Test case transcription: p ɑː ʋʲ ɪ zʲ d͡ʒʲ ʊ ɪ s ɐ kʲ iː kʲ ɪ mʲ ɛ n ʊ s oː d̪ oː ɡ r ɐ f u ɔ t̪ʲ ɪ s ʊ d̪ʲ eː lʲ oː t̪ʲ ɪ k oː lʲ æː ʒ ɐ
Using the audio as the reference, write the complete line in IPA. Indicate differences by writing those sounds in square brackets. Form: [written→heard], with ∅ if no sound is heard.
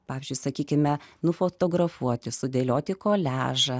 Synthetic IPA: p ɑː ʋʲ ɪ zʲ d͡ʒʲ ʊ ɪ s ɐ kʲ iː kʲ ɪ mʲ ɛ n ʊ [s→f] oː [d̪→t̪] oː ɡ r ɐ f u ɔ t̪ʲ ɪ s ʊ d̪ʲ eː lʲ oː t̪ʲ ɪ k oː lʲ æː ʒ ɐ